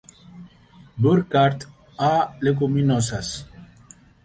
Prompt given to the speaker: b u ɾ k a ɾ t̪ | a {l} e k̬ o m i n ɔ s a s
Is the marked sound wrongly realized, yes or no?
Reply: no